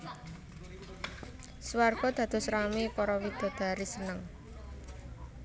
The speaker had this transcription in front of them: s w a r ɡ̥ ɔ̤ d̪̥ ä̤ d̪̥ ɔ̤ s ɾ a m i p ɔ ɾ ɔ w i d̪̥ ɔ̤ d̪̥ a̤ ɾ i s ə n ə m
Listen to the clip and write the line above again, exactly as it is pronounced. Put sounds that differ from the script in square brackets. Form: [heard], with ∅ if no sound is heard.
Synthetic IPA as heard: s w a r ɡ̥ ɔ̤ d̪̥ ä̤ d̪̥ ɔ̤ s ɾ a m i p ɔ ɾ ɔ w i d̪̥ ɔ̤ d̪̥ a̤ ɾ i s ə n ə [ŋ]

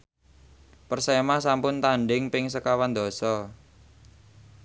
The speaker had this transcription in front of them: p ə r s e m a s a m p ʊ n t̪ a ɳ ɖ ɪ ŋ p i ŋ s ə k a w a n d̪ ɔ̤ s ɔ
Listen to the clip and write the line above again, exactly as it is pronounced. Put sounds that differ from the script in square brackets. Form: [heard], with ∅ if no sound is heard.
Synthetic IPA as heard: p ə r s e m a s a m p ʊ n t̪ a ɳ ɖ ɪ ŋ p [ɪ] ŋ s ə k a w a n d̪ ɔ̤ s ɔ

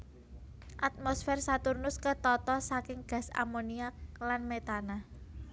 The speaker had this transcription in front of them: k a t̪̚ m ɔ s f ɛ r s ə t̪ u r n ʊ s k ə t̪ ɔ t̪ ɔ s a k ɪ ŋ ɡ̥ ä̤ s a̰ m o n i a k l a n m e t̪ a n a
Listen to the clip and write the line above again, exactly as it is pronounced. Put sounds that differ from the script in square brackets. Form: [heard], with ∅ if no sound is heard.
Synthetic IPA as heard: [ʔ] a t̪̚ m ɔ s f ɛ r s [a] t̪ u r n ʊ s k ə t̪ ɔ t̪ ɔ s a k ɪ ŋ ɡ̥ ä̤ s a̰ m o n i a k l a n m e t̪ a n a

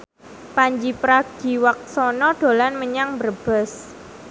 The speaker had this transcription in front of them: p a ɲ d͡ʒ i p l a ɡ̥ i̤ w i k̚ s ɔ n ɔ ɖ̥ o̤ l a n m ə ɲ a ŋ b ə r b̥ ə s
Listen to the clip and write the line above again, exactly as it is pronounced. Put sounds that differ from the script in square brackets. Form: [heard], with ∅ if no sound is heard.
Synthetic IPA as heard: p a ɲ d͡ʒ i p [ɾ] a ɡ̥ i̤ w [a] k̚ s ɔ n ɔ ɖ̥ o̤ l a n m ə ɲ a ŋ b ə r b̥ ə s

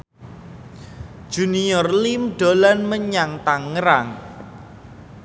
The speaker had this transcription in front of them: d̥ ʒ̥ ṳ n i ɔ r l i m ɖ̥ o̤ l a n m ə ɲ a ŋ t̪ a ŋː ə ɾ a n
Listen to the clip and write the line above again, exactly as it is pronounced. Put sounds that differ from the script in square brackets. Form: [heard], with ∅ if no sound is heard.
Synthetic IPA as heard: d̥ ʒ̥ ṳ n i ɔ r l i m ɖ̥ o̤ l a n m ə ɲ a ŋ t̪ a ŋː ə ɾ a [ŋ]

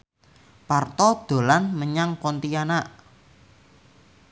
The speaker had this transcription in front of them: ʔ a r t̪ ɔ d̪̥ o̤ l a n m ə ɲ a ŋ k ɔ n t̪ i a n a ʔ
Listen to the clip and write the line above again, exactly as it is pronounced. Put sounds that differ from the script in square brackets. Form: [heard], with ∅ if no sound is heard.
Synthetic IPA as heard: [p] a r t̪ ɔ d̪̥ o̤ l a n m ə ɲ a ŋ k ɔ n t̪ i a n a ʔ

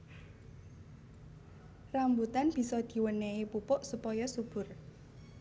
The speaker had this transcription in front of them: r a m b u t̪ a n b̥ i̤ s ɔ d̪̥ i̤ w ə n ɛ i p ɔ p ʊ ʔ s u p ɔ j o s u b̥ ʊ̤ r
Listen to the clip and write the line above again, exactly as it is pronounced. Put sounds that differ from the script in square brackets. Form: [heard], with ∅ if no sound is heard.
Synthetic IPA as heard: r a m b u t̪ a n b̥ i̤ s ɔ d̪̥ i̤ w ə n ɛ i p [u] p ʊ ʔ s u p ɔ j [ɔ] s u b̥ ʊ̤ r

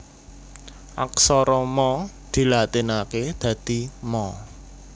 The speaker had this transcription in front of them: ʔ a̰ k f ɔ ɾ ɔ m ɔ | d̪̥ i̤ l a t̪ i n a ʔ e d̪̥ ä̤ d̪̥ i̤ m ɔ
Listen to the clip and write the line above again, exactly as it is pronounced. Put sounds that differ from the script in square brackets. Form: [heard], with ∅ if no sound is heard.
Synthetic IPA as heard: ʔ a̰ k [s] ɔ ɾ ɔ m ɔ | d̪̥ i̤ l a t̪ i n a [k] e d̪̥ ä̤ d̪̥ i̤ m ɔ

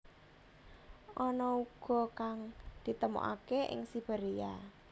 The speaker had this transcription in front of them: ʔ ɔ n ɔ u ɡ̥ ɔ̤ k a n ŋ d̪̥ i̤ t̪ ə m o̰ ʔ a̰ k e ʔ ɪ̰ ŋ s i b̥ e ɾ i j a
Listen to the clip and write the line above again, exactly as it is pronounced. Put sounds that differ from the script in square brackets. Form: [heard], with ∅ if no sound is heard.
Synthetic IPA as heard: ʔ ɔ n ɔ u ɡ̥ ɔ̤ k a [∅] ŋ d̪̥ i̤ t̪ ə m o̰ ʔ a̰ k e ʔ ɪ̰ ŋ s i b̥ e ɾ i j a

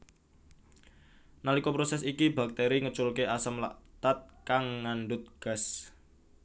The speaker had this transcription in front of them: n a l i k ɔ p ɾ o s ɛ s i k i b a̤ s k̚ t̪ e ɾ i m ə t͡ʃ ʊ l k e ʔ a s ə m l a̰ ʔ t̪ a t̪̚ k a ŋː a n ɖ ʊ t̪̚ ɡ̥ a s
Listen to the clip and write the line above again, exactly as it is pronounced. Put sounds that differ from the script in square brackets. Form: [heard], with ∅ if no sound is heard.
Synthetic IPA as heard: n a l i k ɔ p ɾ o s ɛ s i k i b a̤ [∅] k̚ t̪ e ɾ i [ŋ] ə t͡ʃ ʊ l k e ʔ a s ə m l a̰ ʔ t̪ a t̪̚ k a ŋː a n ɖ ʊ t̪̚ ɡ̥ a s

